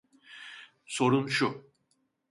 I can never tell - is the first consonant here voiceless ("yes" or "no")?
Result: yes